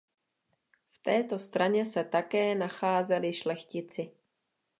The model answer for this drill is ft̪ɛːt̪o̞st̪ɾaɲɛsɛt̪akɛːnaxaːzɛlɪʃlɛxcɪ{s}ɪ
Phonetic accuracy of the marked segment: incorrect: t͡s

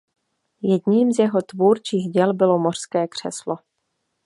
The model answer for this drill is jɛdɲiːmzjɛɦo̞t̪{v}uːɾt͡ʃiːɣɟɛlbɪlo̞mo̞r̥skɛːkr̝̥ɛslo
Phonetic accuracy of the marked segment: correct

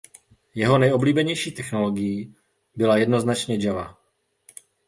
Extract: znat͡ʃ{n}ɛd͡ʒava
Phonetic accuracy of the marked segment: incorrect: ɲ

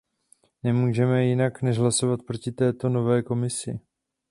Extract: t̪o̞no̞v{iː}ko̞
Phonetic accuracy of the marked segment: incorrect: ɛː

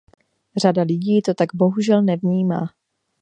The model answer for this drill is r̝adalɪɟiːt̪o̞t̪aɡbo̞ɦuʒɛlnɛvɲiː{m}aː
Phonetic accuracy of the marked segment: correct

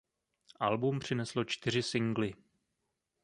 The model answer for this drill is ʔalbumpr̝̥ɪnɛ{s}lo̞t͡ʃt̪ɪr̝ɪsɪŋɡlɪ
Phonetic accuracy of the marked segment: correct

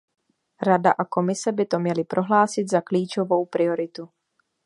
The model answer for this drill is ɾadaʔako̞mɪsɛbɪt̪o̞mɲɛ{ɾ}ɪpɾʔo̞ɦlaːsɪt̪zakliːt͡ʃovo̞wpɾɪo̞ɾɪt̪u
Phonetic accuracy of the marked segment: incorrect: l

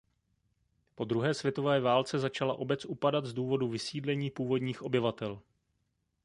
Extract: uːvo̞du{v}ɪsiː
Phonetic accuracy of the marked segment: correct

